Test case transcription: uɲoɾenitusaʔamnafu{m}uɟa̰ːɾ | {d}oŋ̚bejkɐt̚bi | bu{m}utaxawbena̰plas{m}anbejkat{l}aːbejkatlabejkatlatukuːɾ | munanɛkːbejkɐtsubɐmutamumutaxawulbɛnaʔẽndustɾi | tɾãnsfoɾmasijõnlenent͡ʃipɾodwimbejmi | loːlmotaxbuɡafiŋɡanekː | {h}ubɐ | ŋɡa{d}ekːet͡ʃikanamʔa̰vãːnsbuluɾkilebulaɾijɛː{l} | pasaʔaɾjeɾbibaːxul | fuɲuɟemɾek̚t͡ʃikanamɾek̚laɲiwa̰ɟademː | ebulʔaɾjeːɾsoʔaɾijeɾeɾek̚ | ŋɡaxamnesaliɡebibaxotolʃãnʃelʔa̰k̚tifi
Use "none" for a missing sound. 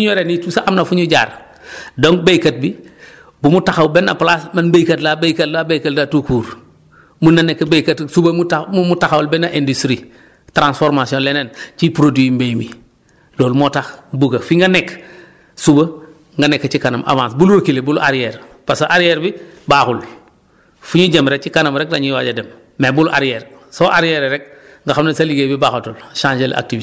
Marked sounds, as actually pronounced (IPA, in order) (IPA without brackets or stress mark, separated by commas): ɲ, d, m, m, l, s, n, ɾ